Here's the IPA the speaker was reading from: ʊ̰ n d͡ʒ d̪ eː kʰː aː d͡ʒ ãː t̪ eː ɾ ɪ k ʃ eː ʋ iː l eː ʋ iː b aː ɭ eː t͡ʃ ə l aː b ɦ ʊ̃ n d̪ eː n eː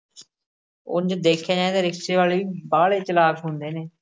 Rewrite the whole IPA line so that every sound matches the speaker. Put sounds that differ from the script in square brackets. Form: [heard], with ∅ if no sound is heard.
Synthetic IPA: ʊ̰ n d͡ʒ d̪ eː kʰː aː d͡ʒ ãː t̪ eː ɾ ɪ k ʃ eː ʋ [aː] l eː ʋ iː b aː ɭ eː t͡ʃ ə l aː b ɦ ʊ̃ n d̪ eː n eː